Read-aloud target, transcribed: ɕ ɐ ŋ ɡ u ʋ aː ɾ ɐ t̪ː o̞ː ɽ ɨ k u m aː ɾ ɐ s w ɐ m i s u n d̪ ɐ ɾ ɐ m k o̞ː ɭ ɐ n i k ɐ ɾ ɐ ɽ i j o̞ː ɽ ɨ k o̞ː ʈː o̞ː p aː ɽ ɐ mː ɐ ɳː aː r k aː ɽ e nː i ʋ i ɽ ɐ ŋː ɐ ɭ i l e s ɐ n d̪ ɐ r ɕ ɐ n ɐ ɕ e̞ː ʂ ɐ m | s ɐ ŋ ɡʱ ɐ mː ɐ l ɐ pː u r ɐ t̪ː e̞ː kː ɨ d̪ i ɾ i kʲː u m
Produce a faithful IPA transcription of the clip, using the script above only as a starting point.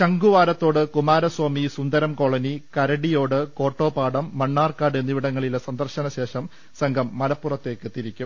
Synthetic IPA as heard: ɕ ɐ ŋ ɡ u ʋ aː ɾ ɐ t̪ː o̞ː ɽ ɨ k u m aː ɾ ɐ s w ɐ m i s u n d̪ ɐ ɾ ɐ m k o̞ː ɭ ɐ n i k ɐ ɾ ɐ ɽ i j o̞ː ɽ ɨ k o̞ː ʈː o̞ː p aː ɽ ɐ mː ɐ ɳː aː r k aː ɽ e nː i ʋ i ɽ ɐ ŋː ɐ ɭ i l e s ɐ n d̪ ɐ r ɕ ɐ n ɐ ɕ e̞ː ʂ ɐ m | s ɐ ŋ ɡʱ ɐ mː ɐ l ɐ pː u r ɐ t̪ː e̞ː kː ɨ t̪ i ɾ i kʲː u m